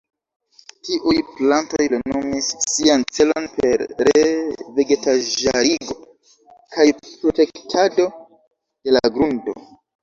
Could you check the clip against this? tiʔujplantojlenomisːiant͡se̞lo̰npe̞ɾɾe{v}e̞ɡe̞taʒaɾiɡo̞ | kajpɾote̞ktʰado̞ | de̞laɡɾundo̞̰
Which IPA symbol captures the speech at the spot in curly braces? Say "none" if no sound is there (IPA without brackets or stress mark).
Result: v